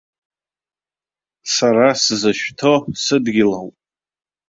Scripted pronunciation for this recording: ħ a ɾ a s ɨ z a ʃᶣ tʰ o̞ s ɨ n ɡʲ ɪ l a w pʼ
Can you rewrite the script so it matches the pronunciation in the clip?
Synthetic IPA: s a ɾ a s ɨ z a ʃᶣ tʰ o̞ s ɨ d ɡʲ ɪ l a w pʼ